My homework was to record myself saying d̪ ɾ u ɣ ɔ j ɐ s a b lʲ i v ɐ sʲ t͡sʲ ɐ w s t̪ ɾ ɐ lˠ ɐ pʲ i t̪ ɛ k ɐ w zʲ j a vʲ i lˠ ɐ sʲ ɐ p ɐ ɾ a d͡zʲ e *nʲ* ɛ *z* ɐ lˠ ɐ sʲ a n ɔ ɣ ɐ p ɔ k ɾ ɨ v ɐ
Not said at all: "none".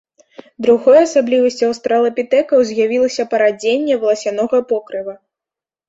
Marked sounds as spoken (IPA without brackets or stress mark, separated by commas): nʲː, v